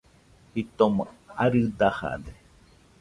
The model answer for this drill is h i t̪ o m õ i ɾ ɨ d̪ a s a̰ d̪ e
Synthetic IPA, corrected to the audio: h i t̪ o m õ a ɾ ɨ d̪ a h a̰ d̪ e